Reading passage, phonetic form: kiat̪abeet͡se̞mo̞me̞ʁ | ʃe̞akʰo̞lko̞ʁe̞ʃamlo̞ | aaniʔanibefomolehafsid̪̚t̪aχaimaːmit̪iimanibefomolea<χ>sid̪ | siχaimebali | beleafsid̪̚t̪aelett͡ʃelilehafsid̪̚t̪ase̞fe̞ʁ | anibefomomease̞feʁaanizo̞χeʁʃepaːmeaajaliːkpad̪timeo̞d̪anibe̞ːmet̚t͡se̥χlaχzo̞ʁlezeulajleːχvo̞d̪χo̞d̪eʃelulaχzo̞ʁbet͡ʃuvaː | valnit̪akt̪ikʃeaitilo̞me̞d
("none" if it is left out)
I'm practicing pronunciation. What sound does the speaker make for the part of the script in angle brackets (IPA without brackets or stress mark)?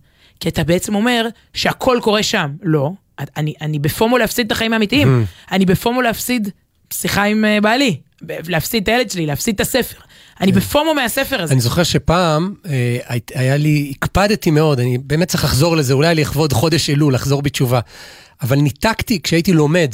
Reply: f